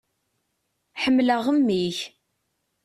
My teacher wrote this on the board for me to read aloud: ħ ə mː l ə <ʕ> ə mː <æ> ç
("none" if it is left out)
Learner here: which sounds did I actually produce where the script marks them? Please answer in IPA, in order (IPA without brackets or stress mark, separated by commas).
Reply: ʁ, i